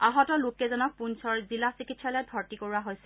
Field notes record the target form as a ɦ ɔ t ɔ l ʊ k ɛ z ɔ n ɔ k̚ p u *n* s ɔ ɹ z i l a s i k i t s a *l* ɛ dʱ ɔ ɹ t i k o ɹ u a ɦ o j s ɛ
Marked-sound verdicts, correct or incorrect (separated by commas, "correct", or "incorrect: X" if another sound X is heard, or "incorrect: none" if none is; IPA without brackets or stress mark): correct, correct